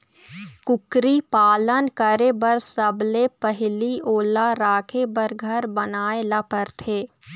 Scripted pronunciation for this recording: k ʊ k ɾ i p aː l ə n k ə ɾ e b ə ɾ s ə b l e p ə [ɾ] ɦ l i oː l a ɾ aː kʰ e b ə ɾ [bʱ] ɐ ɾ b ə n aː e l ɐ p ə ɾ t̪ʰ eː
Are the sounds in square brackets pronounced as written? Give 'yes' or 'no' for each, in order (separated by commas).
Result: no, no